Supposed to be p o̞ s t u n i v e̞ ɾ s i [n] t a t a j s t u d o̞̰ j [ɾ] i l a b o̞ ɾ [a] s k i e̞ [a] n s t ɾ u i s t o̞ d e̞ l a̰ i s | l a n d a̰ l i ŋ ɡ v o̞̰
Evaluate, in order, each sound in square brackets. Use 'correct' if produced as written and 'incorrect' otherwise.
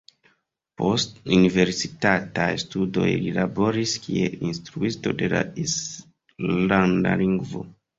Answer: incorrect: none, incorrect: l, incorrect: i, incorrect: i

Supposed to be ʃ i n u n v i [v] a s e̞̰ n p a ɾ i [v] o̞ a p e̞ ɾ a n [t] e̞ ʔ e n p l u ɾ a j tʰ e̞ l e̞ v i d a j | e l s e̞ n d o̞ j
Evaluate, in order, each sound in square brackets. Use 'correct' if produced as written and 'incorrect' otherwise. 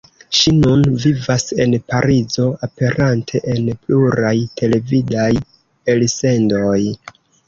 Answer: correct, incorrect: z, incorrect: tʰ

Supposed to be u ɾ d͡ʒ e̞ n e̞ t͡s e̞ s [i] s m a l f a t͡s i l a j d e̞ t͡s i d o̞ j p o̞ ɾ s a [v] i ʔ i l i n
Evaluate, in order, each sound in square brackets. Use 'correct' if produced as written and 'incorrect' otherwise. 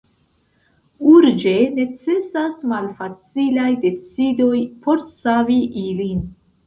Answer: incorrect: a, correct

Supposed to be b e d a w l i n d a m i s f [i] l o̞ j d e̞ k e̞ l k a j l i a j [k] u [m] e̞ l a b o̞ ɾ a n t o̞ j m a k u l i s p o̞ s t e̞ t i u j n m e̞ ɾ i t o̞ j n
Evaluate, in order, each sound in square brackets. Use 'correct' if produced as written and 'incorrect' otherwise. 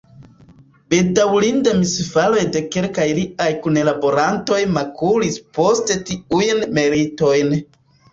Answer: incorrect: a, correct, incorrect: n

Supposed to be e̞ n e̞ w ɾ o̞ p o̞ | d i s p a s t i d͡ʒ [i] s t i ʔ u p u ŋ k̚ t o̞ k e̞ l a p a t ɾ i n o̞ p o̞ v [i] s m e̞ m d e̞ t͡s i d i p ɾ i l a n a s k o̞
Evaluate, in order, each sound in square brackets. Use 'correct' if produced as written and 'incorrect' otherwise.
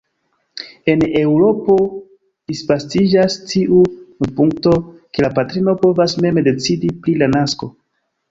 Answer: incorrect: a, incorrect: a

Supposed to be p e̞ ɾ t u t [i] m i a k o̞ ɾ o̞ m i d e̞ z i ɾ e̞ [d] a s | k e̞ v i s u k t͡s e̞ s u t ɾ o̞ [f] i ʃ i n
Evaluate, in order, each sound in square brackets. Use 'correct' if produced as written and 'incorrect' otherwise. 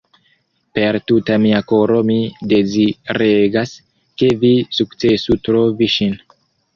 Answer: incorrect: a, incorrect: ɡ, incorrect: v

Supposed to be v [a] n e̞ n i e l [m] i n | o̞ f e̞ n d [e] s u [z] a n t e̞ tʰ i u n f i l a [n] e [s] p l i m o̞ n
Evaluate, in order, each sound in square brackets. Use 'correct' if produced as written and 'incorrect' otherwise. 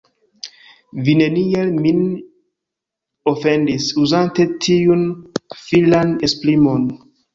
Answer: incorrect: i, correct, incorrect: i, correct, correct, correct

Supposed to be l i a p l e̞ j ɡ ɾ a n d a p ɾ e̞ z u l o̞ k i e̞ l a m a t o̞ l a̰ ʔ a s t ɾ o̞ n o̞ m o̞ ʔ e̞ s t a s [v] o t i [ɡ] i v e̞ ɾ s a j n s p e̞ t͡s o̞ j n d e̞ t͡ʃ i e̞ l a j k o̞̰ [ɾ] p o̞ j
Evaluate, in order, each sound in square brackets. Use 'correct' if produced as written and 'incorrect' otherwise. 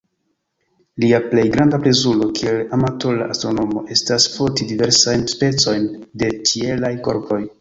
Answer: incorrect: f, incorrect: d, correct

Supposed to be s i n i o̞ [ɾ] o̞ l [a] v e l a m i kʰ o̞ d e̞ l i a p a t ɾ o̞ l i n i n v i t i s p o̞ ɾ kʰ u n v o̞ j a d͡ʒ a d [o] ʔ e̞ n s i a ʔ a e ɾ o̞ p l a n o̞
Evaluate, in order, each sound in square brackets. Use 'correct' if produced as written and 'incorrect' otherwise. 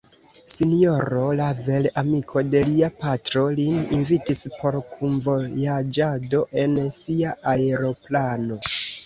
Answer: correct, correct, correct

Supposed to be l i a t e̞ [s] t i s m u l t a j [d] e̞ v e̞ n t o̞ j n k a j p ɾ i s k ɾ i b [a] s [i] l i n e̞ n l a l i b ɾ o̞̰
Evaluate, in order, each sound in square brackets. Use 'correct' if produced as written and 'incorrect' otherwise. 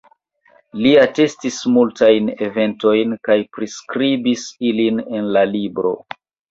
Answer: correct, incorrect: n, incorrect: i, correct

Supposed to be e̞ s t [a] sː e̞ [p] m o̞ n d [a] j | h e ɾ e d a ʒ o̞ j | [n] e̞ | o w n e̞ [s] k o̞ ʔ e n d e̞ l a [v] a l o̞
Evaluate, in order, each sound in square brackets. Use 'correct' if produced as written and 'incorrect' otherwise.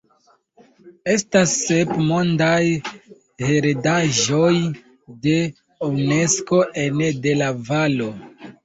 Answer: correct, correct, correct, incorrect: d, correct, correct

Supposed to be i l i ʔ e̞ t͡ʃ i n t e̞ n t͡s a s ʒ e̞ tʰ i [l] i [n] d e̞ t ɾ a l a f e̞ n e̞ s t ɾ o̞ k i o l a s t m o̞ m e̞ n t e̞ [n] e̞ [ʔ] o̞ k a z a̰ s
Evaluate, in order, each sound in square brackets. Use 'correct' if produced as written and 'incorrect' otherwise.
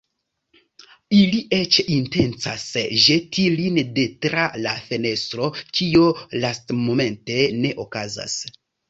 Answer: correct, correct, correct, correct

